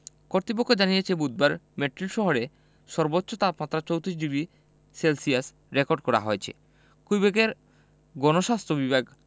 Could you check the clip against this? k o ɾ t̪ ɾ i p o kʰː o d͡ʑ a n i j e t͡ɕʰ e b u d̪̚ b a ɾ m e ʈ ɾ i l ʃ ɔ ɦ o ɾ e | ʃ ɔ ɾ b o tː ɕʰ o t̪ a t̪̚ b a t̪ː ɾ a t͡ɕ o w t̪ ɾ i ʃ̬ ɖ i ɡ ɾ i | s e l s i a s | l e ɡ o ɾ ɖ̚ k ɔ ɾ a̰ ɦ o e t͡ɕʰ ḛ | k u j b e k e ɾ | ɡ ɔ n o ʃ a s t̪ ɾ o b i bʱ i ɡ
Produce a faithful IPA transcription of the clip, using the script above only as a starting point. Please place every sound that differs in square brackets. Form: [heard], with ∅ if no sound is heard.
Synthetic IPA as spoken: k o ɾ t̪ ɾ i p o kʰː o d͡ʑ a n i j e t͡ɕʰ e b u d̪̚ b a ɾ m e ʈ ɾ i l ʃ ɔ ɦ o ɾ e | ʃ ɔ ɾ b o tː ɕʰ o t̪ a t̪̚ [m] a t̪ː ɾ a t͡ɕ o w t̪ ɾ i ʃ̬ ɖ i ɡ ɾ i | s e l s i a s | [ɾ] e [k] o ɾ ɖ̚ k ɔ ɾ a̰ ɦ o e t͡ɕʰ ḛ | k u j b e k e ɾ | ɡ ɔ n o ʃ a s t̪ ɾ o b i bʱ [a] ɡ